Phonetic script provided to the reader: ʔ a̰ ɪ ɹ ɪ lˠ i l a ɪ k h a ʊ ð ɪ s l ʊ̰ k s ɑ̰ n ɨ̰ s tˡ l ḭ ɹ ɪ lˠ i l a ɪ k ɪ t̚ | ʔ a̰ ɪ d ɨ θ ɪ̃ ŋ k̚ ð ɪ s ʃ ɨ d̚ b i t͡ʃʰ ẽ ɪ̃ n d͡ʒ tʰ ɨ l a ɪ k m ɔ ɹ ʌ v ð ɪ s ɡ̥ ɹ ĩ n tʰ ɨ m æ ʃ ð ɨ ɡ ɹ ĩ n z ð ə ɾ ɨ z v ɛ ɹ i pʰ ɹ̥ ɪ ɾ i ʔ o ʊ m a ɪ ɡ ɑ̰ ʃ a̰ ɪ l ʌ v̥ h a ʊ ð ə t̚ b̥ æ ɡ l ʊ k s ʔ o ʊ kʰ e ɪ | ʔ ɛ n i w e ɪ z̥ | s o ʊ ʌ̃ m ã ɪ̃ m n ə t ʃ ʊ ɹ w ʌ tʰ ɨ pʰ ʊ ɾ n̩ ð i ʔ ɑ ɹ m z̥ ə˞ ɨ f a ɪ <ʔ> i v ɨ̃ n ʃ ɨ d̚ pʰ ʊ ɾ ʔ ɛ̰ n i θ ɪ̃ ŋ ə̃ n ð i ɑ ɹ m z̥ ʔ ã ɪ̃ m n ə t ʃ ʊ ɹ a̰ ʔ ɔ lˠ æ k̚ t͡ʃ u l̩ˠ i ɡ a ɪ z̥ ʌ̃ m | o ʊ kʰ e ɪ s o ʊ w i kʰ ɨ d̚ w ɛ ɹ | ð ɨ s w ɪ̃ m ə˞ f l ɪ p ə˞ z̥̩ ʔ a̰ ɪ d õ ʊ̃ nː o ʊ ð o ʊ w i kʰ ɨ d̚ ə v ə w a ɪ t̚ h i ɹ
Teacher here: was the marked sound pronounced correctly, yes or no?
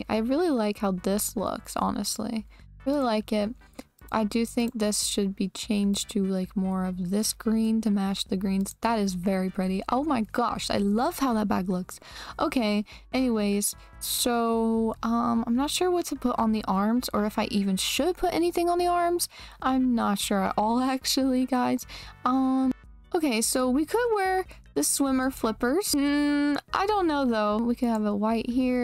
yes